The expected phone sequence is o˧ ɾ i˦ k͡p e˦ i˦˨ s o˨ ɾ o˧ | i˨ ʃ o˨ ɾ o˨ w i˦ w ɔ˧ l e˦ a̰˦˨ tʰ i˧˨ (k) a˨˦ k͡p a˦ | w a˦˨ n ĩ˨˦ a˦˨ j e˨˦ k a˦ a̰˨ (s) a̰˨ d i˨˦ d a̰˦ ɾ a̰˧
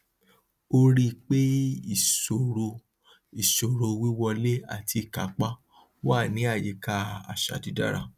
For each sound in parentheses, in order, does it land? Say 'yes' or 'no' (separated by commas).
yes, no